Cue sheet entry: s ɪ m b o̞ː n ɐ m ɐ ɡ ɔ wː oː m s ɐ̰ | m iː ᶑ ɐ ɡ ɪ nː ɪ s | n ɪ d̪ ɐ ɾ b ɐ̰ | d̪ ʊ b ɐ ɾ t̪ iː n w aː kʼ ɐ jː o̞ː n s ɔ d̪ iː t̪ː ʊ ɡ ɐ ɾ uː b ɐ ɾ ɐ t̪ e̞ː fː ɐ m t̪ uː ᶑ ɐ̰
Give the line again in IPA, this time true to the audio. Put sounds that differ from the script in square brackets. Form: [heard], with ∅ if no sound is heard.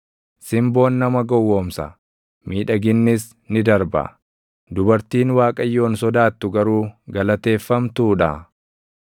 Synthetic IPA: s ɪ m b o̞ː [nː] ɐ m ɐ ɡ ɔ wː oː m s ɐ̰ | m iː ᶑ ɐ ɡ ɪ nː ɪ s | n ɪ d̪ ɐ ɾ b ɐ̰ | d̪ ʊ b ɐ ɾ t̪ iː n w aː kʼ ɐ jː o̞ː n s ɔ d̪ [aː] t̪ː ʊ ɡ ɐ ɾ uː [ɡ] ɐ [l] ɐ t̪ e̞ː fː ɐ m t̪ uː ᶑ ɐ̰